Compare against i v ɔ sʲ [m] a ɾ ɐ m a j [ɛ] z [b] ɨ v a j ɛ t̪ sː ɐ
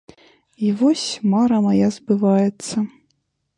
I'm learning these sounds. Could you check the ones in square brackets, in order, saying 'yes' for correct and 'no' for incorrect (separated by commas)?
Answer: yes, no, yes